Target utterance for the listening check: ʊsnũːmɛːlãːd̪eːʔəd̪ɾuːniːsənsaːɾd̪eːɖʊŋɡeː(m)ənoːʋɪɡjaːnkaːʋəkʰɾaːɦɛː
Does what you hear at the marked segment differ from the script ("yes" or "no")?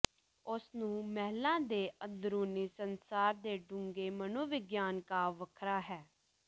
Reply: no